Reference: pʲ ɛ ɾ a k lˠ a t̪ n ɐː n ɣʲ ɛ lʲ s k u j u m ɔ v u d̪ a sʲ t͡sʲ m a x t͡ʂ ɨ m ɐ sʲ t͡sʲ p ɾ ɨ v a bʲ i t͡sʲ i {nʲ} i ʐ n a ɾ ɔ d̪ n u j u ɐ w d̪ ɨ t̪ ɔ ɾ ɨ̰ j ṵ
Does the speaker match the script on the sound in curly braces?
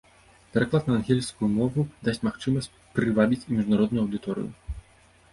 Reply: no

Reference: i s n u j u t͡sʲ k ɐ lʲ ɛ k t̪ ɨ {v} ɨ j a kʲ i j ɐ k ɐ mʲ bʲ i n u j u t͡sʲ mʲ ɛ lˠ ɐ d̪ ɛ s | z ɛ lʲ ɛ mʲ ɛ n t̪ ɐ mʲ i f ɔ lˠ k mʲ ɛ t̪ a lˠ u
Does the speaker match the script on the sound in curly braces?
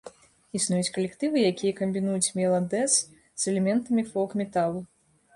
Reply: yes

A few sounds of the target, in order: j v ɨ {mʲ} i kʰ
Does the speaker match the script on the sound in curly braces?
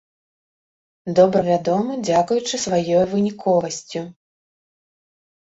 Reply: no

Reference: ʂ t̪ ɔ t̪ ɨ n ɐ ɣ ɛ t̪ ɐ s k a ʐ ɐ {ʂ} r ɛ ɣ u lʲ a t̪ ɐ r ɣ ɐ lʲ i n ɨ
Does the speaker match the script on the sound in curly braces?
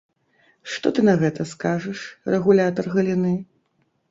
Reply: yes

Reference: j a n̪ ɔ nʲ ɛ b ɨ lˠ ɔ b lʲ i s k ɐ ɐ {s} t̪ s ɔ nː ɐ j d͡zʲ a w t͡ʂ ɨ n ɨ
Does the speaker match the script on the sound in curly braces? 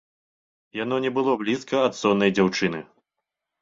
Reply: no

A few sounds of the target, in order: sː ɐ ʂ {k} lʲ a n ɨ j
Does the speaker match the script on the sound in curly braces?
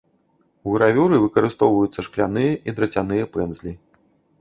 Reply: yes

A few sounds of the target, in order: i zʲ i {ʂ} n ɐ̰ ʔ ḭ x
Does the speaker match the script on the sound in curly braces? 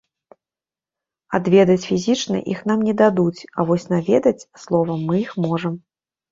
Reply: no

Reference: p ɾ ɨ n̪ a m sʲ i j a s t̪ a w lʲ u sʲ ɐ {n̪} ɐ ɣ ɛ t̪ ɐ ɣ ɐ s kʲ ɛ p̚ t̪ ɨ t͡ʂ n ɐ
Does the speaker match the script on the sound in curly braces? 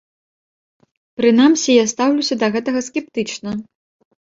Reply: no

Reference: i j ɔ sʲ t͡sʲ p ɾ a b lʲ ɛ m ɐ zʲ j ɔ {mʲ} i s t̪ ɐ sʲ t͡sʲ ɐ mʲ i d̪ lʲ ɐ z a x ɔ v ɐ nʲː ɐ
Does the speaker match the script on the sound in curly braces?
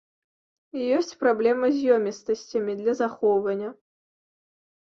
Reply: yes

